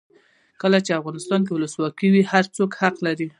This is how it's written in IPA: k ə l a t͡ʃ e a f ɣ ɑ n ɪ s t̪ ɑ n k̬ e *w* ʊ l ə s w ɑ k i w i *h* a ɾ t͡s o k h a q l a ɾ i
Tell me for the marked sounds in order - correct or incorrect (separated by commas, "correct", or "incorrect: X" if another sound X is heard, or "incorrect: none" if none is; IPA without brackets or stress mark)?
correct, correct